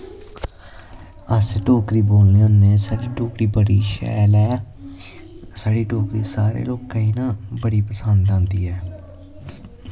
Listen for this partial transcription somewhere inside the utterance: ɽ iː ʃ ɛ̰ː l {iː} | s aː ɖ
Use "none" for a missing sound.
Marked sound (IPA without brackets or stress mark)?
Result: ɛː